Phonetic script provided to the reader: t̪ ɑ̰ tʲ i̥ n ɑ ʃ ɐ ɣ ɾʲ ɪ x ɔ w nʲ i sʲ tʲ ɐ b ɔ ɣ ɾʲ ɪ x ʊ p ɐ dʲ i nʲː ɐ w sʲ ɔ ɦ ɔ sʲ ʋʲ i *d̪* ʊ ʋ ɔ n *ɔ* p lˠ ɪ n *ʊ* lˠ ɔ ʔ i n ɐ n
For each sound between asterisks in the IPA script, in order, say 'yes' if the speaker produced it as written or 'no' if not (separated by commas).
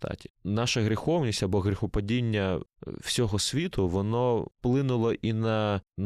no, yes, yes